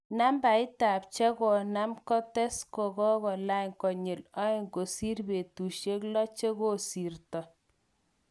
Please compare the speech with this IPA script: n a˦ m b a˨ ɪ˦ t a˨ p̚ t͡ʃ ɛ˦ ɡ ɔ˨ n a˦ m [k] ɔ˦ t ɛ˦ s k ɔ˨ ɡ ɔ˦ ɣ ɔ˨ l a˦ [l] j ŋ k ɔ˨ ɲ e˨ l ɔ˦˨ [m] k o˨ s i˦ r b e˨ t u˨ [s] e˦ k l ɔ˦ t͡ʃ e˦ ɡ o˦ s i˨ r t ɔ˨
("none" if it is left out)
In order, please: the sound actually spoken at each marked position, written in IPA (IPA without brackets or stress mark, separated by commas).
k, none, ŋ, ʃ